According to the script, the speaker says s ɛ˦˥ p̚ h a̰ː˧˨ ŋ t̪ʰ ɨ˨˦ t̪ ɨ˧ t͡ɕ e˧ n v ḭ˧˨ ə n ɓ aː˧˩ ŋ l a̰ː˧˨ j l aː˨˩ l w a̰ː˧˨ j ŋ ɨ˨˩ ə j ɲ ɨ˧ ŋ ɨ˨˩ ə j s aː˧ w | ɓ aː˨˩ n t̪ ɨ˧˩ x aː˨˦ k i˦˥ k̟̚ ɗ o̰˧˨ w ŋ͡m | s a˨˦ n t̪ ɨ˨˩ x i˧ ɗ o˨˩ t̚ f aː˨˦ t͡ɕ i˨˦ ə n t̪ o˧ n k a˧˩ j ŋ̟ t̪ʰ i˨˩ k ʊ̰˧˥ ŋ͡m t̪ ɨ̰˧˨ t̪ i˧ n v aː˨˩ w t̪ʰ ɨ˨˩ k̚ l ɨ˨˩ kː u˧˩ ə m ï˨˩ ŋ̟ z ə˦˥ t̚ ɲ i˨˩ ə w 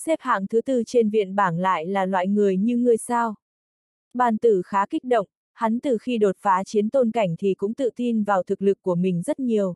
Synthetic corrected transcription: s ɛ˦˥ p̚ h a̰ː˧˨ ŋ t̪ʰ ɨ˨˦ t̪ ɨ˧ t͡ɕ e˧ n v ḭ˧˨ ə n ɓ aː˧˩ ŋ l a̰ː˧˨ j l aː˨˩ l w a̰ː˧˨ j ŋ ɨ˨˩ ə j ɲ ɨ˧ ŋ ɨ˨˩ ə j s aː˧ w | ɓ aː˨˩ n t̪ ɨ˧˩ x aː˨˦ k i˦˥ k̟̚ ɗ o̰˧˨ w ŋ͡m | h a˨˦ n t̪ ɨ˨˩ x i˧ ɗ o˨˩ t̚ f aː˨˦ t͡ɕ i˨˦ ə n t̪ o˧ n k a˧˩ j ŋ̟ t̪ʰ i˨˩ k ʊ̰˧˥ ŋ͡m t̪ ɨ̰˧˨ t̪ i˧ n v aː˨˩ w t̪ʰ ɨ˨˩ k̚ l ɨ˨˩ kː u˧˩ ə m ï˨˩ ŋ̟ z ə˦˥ t̚ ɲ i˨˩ ə w

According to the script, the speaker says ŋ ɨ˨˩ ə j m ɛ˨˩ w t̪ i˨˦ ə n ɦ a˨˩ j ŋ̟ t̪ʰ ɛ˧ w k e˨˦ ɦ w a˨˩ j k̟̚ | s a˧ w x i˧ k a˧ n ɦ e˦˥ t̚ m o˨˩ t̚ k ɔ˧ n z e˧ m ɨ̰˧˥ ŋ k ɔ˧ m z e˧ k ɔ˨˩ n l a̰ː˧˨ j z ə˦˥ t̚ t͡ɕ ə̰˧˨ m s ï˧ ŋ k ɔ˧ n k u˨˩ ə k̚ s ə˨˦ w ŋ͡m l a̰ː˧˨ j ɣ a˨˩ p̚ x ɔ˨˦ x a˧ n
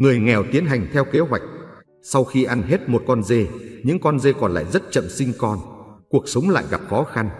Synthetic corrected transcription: ŋ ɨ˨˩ ə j ŋ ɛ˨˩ w t̪ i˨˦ ə n ɦ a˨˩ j ŋ̟ t̪ʰ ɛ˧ w k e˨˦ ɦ w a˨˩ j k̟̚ | s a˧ w x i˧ ʔ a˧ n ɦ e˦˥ t̚ m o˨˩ t̚ k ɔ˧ n z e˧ ɲ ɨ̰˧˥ ŋ k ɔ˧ n z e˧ k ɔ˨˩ n l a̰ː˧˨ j z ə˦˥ t̚ t͡ɕ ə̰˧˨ m s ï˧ ŋ k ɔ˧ n k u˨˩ ə k̚ s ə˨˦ w ŋ͡m l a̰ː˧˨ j ɣ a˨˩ p̚ x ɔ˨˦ x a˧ n

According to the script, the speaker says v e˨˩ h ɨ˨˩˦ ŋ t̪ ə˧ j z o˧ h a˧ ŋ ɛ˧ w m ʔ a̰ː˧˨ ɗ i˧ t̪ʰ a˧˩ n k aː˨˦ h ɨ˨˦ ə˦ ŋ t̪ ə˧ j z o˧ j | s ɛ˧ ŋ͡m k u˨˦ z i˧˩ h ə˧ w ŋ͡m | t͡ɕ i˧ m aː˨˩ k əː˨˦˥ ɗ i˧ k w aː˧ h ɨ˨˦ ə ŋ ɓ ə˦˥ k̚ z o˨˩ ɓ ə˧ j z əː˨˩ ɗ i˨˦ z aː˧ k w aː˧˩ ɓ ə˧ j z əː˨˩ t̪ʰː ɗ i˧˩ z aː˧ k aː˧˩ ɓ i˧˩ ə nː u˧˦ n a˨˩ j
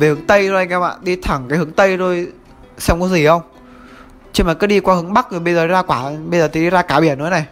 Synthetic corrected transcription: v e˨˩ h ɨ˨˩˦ ŋ t̪ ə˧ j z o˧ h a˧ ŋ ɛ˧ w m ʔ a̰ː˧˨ ɗ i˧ t̪ʰ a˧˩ ŋ k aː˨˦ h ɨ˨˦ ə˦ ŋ t̪ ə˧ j z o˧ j | s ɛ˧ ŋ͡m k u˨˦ z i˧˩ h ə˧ w ŋ͡m | t͡ɕ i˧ m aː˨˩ k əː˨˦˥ ɗ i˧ k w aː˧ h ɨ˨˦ ə ŋ ɓ a˦˥ k̚ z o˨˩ ɓ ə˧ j z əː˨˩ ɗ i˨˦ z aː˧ k w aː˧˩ ɓ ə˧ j z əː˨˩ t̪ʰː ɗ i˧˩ z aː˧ k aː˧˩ ɓ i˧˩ ə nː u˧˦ n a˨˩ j

